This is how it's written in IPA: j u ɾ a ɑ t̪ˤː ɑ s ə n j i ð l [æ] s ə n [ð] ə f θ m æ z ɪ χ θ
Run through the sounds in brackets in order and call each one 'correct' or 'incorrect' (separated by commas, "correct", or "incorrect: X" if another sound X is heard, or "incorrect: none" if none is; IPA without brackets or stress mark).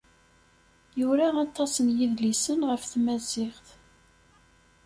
incorrect: i, incorrect: ʁ